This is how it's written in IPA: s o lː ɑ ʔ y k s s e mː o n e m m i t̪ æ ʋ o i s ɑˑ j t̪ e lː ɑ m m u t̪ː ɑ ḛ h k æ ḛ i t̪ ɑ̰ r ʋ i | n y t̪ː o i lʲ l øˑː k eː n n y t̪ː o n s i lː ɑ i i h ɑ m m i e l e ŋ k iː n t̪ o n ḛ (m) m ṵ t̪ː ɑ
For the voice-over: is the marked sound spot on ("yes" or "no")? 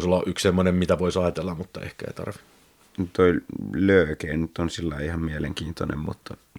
yes